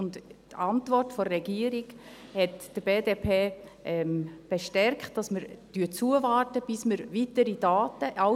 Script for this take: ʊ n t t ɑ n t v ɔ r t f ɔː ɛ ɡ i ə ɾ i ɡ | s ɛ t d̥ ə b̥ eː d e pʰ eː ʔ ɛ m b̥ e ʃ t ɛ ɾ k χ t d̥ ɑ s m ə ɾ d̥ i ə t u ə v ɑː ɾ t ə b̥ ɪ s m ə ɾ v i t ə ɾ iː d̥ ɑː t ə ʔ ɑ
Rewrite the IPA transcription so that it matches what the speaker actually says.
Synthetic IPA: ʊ n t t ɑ n t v ɔ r t f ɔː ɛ ɡ i ə ɾ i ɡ | h ɛ t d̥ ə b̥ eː d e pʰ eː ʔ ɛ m b̥ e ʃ t ɛ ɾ k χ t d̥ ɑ s m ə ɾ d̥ y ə t͡s u ə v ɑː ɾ t ə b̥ ɪ s m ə ɾ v i t ə ɾ i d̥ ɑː t ə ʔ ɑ